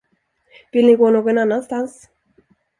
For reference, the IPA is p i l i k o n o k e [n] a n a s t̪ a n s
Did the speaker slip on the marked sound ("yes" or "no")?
no